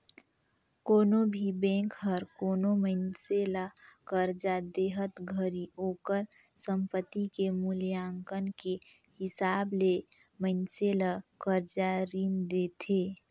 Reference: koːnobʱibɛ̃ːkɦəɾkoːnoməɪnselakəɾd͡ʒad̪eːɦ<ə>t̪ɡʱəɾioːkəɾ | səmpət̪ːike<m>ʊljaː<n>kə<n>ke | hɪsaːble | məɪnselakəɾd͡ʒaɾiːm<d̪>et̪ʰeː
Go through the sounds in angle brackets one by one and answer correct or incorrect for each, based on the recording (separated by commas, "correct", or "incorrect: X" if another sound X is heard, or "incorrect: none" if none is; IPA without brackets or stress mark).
correct, correct, incorrect: ŋ, correct, correct